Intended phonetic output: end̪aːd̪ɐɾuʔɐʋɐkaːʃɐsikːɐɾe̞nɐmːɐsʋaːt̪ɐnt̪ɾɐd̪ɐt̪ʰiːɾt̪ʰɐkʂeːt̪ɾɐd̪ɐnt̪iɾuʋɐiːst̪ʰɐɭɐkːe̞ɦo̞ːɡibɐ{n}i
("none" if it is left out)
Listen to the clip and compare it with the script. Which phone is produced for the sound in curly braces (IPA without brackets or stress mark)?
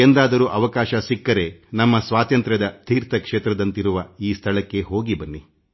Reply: nː